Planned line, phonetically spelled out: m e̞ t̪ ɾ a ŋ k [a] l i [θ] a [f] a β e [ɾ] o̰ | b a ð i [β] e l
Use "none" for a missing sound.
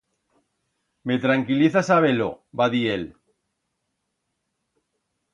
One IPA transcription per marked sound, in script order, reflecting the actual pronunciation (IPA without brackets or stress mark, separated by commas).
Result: i, θ, s, l, none